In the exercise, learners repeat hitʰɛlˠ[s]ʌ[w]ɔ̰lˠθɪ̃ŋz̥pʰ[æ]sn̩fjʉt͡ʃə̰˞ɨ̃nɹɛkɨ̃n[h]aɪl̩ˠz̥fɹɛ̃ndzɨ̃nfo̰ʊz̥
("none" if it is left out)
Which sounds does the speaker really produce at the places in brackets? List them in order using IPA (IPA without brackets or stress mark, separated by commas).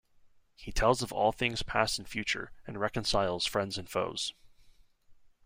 z, v, æ, s